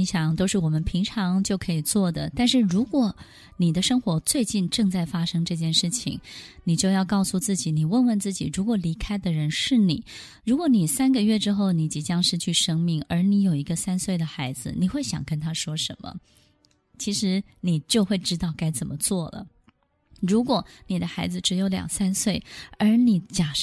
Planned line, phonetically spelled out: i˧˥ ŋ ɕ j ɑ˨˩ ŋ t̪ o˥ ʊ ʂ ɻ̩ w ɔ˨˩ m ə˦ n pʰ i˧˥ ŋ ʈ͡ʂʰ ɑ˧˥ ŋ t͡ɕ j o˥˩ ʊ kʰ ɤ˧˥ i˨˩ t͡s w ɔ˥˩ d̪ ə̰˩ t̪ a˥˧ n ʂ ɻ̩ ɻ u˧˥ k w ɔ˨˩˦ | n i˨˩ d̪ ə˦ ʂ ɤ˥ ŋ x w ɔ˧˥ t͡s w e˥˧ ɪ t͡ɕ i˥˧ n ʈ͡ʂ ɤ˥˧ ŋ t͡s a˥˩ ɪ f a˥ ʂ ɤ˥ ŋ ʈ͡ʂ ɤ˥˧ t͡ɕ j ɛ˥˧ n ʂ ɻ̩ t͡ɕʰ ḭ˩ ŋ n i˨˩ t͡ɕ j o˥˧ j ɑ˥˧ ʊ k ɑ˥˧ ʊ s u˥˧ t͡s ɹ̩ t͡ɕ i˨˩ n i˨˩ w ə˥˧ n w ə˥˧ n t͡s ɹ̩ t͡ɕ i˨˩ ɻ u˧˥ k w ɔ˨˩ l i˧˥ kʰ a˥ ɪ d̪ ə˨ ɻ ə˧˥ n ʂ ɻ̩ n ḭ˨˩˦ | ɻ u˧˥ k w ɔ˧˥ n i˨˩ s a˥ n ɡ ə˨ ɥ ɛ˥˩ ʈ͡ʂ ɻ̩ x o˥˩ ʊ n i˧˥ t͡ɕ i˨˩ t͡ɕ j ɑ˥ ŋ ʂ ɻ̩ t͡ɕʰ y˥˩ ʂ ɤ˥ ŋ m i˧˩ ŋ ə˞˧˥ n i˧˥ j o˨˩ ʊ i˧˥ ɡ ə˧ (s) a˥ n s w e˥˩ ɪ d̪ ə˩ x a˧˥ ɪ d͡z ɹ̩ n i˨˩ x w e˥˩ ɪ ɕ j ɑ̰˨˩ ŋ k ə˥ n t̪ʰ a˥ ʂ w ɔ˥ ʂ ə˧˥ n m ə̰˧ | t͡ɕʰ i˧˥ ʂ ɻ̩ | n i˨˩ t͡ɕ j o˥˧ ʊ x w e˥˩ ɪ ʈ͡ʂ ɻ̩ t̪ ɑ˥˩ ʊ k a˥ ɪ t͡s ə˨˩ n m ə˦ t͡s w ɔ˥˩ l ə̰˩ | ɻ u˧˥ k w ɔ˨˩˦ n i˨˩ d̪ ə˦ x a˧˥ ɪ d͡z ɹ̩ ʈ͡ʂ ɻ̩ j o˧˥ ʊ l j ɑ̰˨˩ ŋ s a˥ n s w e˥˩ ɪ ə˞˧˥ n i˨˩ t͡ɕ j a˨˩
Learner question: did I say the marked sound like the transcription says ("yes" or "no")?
yes